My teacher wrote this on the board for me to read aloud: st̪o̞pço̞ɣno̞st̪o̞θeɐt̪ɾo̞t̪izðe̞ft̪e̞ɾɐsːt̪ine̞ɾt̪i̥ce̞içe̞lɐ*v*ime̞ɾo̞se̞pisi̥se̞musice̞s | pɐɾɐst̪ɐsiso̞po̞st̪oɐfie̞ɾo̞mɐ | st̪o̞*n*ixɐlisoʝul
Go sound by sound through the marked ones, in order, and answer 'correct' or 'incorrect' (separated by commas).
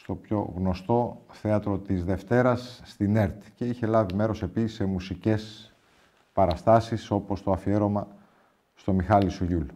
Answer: correct, incorrect